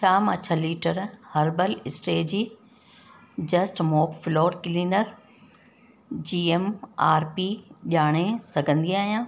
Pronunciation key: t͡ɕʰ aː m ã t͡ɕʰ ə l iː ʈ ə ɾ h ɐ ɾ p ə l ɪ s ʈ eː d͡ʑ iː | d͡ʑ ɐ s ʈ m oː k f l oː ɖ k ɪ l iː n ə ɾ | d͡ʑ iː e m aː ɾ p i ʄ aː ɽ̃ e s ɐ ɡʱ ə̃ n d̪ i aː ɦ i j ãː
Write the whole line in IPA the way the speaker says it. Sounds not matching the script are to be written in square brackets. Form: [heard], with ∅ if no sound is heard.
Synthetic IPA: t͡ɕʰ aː m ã t͡ɕʰ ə l iː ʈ ə ɾ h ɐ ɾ [b] ə l ɪ s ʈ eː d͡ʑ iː | d͡ʑ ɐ s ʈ m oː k f l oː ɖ k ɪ l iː n ə ɾ | d͡ʑ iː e m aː ɾ p i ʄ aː ɽ̃ e s ɐ ɡʱ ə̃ n d̪ i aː ɦ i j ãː

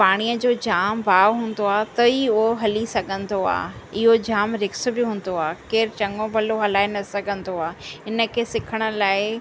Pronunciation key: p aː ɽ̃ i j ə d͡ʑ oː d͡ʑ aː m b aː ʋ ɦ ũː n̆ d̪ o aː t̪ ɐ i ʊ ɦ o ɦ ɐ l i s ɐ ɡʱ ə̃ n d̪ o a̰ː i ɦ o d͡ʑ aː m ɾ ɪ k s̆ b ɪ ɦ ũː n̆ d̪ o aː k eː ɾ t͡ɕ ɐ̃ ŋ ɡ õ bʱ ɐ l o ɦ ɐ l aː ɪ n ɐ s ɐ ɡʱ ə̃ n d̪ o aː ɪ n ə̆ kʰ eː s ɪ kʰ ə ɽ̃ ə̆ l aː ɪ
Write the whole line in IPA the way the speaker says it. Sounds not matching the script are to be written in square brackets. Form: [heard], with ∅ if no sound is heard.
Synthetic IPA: p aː ɽ̃ i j ə d͡ʑ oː d͡ʑ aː m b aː ʋ ɦ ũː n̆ d̪ o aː t̪ ɐ i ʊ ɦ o ɦ ɐ l i s ɐ ɡʱ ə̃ n d̪ o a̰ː [ɪ] ɦ o d͡ʑ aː m ɾ ɪ k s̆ b ɪ ɦ ũː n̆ d̪ o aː k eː ɾ t͡ɕ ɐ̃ ŋ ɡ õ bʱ ɐ l o ɦ ɐ l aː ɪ n ɐ s ɐ ɡʱ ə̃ n d̪ o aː ɪ n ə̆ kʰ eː s ɪ kʰ ə ɽ̃ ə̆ l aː ɪ

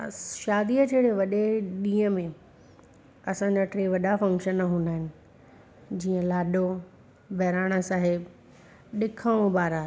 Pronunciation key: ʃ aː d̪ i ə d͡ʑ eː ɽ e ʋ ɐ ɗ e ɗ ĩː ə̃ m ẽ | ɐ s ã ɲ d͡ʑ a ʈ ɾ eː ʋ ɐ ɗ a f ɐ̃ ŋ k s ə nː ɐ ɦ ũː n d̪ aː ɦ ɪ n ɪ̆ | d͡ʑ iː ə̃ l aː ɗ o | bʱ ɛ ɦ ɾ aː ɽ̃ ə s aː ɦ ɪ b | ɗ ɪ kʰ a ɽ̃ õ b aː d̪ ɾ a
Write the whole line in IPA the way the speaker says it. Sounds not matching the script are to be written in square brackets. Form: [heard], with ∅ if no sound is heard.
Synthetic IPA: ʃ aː d̪ i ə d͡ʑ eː ɽ e ʋ ɐ ɗ e ɗ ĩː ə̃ m ẽ | ɐ s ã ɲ d͡ʑ a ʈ ɾ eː ʋ ɐ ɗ a f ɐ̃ ŋ k [ʃ] ə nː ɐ ɦ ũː n d̪ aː ɦ ɪ n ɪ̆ | d͡ʑ iː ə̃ l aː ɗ o | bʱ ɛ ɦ ɾ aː ɽ̃ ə s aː ɦ ɪ b | ɗ ɪ kʰ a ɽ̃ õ b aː [∅] ɾ a

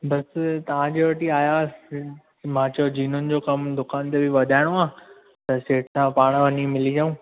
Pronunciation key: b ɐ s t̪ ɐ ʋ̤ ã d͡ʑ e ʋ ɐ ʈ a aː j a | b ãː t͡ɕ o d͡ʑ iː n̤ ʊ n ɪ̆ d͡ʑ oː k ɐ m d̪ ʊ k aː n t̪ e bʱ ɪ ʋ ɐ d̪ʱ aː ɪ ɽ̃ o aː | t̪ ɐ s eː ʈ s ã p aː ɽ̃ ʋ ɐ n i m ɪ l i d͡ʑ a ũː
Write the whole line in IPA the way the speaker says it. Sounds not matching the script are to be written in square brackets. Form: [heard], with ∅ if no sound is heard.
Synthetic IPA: b ɐ s t̪ ɐ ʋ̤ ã d͡ʑ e ʋ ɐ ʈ [i] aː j a | [m] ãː t͡ɕ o d͡ʑ iː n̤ ʊ n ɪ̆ d͡ʑ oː k ɐ m d̪ ʊ k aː n t̪ e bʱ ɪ ʋ ɐ d̪ʱ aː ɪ ɽ̃ o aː | t̪ ɐ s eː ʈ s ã p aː ɽ̃ ʋ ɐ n i m ɪ l i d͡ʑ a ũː

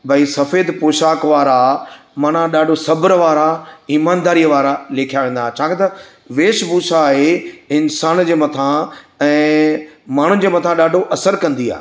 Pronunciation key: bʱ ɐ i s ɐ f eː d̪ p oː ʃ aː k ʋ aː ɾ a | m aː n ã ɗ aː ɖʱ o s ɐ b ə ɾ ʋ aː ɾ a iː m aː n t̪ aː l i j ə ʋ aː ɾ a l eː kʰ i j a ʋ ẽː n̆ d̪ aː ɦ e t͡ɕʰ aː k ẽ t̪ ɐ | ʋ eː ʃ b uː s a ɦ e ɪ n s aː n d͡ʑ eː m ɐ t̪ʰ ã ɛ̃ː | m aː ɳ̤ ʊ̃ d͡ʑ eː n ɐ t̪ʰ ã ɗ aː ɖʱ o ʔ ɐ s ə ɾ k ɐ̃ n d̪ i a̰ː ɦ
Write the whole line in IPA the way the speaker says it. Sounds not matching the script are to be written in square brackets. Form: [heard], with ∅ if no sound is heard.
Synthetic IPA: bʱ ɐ i s ɐ f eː d̪ p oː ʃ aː k ʋ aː ɾ a | m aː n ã ɗ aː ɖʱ o s ɐ b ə ɾ ʋ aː ɾ a iː m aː n [d̪] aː [ɾ] i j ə ʋ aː ɾ a l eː kʰ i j a ʋ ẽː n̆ d̪ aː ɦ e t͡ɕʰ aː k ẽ t̪ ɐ | ʋ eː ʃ b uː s a ɦ e ɪ n s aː n d͡ʑ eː m ɐ t̪ʰ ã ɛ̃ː | m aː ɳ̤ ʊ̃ d͡ʑ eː [m] ɐ t̪ʰ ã ɗ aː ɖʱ o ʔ ɐ s ə ɾ k ɐ̃ n d̪ i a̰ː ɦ

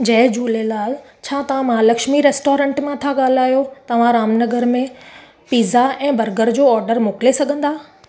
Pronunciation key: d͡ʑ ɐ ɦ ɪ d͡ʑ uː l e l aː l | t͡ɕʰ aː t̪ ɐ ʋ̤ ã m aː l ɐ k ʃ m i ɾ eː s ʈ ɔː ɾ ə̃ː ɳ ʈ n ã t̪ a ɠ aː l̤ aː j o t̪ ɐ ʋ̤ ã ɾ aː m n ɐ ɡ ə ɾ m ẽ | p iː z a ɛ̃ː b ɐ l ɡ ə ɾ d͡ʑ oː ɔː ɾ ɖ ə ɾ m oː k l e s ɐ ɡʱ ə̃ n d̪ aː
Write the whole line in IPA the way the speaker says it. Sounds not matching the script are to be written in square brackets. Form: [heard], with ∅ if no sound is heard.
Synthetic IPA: d͡ʑ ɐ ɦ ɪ d͡ʑ uː l e l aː l | t͡ɕʰ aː t̪ ɐ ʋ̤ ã m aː l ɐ k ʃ m i ɾ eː s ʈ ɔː ɾ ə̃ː ɳ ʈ [m] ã [t̪ʰ] a ɠ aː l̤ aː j o t̪ ɐ ʋ̤ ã ɾ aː m n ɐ ɡ ə ɾ m ẽ | p iː z a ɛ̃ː b ɐ [ɾ] ɡ ə ɾ d͡ʑ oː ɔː ɾ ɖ ə ɾ m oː k l e s ɐ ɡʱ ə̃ n d̪ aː

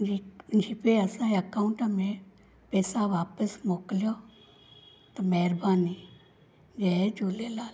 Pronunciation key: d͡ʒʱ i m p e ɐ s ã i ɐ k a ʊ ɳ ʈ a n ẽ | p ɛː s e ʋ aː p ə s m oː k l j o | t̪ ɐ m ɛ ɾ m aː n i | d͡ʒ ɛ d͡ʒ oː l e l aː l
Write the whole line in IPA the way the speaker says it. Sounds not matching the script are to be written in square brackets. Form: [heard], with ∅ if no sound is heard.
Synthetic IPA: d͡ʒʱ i [∅] p e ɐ s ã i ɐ k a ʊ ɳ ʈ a [m] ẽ | p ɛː s [a] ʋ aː p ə s m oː k l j o | t̪ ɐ m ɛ ɾ [b] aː n i | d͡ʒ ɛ d͡ʒ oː l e l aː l

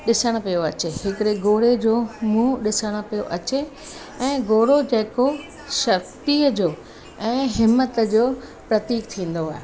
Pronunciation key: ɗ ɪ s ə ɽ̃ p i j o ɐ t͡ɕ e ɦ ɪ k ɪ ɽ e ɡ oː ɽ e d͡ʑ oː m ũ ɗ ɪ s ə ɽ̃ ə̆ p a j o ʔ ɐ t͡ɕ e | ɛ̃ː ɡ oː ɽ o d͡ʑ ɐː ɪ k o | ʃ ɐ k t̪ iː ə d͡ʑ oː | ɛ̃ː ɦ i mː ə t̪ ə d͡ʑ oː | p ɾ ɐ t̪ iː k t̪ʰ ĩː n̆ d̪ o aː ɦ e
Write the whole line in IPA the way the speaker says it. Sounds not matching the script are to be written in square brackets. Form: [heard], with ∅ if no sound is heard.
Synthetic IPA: ɗ ɪ s ə ɽ̃ p i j o ɐ t͡ɕ e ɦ ɪ k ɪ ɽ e ɡ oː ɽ e d͡ʑ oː m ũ ɗ ɪ s ə ɽ̃ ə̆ p [i] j o ʔ ɐ t͡ɕ e | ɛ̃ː ɡ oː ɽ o d͡ʑ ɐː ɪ k o | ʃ ɐ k t̪ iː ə d͡ʑ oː | ɛ̃ː ɦ [ɪ] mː ə t̪ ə d͡ʑ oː | p ɾ ɐ t̪ iː k t̪ʰ ĩː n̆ d̪ o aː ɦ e

